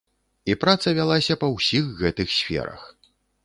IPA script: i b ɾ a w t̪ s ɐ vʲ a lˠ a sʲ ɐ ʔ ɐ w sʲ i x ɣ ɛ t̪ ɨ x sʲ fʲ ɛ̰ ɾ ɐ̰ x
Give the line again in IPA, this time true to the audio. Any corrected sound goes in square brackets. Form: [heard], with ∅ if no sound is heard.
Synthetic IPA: i [p] ɾ a [∅] t̪ s ɐ vʲ a lˠ a sʲ ɐ [p] ɐ w sʲ i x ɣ ɛ t̪ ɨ x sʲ fʲ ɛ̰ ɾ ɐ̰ x

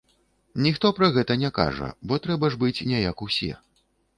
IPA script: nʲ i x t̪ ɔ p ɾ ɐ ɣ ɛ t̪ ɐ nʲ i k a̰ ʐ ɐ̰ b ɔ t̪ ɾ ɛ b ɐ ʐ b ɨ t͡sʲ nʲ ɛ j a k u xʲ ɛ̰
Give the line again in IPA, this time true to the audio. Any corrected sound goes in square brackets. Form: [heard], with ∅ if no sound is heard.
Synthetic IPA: nʲ i x t̪ ɔ p ɾ ɐ ɣ ɛ t̪ ɐ nʲ [ɛ] k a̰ ʐ ɐ̰ b ɔ t̪ ɾ ɛ b ɐ ʐ b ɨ t͡sʲ nʲ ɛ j a k u [sʲ] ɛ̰

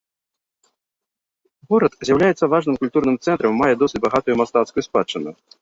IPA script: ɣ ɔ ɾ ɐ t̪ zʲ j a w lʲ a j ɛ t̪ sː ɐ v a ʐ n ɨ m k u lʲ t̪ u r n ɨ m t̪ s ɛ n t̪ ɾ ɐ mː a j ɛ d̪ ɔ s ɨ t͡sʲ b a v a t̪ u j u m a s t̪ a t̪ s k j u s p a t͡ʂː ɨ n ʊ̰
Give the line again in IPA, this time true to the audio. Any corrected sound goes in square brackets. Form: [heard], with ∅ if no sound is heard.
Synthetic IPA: ɣ ɔ ɾ ɐ t̪ zʲ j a w lʲ a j ɛ t̪ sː ɐ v a ʐ n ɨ m k u lʲ t̪ u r n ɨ m t̪ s ɛ n t̪ ɾ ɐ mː a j ɛ d̪ ɔ s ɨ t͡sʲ b a [ɣ] a t̪ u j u m a s t̪ a t̪ s k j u s p a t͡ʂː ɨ n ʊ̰

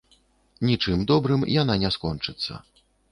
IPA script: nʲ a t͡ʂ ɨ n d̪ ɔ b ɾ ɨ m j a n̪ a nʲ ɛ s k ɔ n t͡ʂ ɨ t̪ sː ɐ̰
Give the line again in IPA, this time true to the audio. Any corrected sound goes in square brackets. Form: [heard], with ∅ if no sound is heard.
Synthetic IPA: nʲ [i] t͡ʂ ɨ [m] d̪ ɔ b ɾ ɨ m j a n̪ a nʲ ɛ s k ɔ n t͡ʂ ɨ t̪ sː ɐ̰

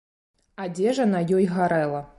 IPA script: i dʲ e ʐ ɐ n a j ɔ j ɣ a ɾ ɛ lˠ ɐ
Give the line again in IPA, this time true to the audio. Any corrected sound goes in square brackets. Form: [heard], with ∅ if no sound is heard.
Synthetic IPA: [a] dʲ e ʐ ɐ n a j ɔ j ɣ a ɾ ɛ lˠ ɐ

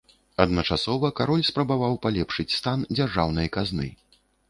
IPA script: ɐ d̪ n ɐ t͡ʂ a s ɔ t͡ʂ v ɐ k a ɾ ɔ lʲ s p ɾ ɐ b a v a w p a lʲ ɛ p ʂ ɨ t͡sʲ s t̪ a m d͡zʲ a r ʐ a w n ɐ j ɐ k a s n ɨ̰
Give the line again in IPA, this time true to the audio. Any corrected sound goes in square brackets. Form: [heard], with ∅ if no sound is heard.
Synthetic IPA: ɐ d̪ n ɐ t͡ʂ a s ɔ [∅] v ɐ k a ɾ ɔ lʲ s p ɾ ɐ b a v a w p a lʲ ɛ p ʂ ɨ t͡sʲ s t̪ a [n] d͡zʲ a r ʐ a w n ɐ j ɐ k a [z] n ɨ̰

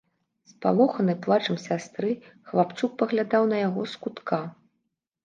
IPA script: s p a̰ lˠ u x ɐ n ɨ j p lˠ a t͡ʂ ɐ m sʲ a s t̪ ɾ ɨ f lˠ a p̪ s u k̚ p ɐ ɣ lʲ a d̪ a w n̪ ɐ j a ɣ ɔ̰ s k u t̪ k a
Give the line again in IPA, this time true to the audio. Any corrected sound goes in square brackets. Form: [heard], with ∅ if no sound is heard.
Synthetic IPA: s p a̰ lˠ [ɔ] x ɐ n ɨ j p lˠ a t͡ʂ ɐ m sʲ a s t̪ ɾ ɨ [x] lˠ a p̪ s u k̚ p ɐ ɣ lʲ a d̪ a w n̪ ɐ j a ɣ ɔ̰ s k u t̪ k a

